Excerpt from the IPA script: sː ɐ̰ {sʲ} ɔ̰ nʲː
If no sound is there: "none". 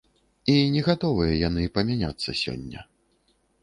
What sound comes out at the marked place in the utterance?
sʲ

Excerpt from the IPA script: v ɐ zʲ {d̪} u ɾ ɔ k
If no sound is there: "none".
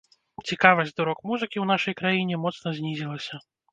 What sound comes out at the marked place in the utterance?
d̪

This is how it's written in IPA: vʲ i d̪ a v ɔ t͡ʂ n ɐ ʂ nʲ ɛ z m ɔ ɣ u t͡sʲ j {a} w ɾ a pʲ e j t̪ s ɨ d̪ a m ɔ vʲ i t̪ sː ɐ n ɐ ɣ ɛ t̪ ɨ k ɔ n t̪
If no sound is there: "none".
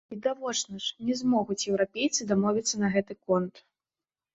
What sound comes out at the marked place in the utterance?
ɛ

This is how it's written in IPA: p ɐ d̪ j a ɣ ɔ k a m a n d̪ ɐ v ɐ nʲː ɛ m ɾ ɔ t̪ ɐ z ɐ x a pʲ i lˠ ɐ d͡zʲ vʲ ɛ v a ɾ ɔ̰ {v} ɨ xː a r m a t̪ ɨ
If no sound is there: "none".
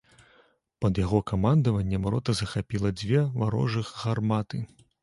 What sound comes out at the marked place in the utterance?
ʐ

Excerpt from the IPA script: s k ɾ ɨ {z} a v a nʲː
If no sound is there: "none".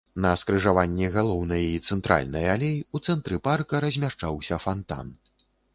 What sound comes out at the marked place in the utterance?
ʐ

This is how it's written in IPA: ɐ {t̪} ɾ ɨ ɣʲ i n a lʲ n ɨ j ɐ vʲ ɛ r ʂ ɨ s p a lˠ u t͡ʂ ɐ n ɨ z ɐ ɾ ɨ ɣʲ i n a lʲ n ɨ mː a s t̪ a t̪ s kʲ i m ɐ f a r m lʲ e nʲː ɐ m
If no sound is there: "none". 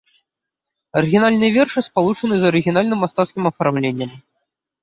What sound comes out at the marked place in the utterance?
none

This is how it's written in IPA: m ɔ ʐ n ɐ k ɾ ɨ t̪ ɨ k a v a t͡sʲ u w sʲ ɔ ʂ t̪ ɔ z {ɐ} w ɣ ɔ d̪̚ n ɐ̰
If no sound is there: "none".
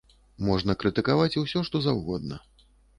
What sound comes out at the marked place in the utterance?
a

